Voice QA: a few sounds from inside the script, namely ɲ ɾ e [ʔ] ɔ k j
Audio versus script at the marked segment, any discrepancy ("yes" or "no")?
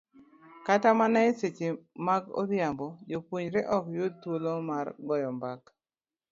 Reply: no